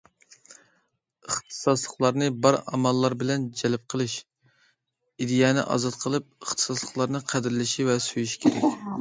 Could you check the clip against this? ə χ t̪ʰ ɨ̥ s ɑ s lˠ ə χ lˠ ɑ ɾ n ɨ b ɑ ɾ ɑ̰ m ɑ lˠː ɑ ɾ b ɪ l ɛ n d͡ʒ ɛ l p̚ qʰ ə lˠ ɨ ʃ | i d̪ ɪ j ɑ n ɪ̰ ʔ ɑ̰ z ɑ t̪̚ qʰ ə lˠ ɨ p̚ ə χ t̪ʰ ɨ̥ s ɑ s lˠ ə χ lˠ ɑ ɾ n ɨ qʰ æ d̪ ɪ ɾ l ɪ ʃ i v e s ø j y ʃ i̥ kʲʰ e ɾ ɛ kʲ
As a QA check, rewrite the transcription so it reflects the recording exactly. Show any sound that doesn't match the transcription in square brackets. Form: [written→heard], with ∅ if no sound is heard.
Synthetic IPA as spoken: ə χ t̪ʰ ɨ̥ s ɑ s lˠ ə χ lˠ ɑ ɾ n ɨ b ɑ ɾ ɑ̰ m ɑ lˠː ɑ ɾ b ɪ l ɛ n d͡ʒ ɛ l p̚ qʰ ə lˠ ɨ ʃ | i d̪ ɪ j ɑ n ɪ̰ ʔ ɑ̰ z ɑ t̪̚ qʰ ə lˠ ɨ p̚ ə χ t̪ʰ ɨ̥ s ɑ s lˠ ə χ lˠ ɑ ɾ n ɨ qʰ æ d̪ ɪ ɾ l ɪ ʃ i v [e→ɛ] s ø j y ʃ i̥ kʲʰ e ɾ ɛ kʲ